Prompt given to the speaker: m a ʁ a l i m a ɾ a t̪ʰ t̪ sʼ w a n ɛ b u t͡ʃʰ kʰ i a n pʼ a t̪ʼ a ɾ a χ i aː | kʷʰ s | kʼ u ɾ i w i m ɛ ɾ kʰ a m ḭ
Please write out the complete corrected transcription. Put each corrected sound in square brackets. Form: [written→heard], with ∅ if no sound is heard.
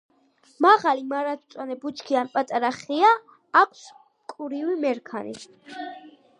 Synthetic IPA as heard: m a ʁ a l i m a ɾ a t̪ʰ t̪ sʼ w a n ɛ b u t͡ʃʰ kʰ i a n pʼ a t̪ʼ a ɾ a χ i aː | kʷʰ s | kʼ u ɾ i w i m ɛ ɾ kʰ a [m→n] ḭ